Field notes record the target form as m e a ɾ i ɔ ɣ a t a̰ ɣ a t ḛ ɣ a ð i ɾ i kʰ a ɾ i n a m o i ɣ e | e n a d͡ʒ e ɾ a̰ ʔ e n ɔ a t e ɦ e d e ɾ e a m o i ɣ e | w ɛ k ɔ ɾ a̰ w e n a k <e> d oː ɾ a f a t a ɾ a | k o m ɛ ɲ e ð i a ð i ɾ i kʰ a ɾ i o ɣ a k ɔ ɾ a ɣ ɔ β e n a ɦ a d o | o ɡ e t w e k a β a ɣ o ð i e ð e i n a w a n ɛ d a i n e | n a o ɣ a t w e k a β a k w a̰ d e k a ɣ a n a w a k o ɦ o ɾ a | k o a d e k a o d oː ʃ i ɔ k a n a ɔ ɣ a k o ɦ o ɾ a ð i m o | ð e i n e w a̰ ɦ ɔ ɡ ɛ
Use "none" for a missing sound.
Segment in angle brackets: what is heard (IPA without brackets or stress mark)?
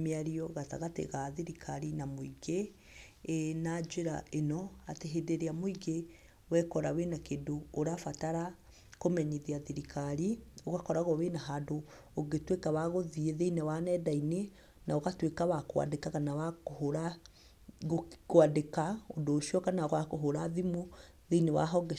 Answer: e